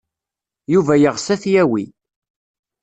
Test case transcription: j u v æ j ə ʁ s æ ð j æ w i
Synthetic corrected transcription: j u v æ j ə ʁ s æ θ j æ w i